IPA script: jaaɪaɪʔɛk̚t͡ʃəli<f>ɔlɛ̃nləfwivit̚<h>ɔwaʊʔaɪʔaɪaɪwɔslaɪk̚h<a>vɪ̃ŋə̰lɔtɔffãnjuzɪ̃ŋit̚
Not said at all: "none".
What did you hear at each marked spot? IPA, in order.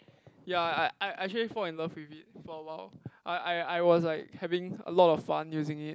f, f, ɛ

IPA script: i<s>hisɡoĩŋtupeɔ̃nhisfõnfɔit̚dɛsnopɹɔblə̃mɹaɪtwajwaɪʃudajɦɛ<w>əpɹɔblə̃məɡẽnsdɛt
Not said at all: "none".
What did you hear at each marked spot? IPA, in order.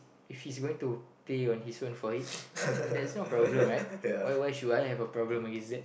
f, v

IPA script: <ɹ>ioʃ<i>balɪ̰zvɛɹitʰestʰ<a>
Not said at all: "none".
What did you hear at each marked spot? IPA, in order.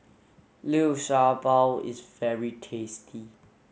l, a, i

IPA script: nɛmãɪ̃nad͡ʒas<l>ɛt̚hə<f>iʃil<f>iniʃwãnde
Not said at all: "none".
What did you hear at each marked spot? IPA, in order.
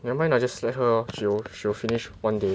l, ʃ, f

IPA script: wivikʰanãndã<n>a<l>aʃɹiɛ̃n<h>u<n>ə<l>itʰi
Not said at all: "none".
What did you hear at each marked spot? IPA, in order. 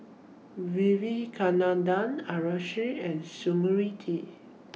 n, ɹ, s, m, ɹ

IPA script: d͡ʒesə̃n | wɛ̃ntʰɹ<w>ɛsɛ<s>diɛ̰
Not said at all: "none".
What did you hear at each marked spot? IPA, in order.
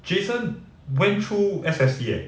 u, s

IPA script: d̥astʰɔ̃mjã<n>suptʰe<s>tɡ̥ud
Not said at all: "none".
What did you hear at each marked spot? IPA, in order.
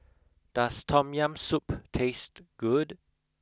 m, s

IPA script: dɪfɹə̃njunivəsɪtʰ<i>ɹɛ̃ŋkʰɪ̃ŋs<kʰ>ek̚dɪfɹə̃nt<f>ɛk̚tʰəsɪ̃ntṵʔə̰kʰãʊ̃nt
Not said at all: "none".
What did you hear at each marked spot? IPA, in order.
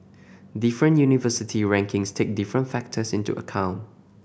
i, tʰ, f

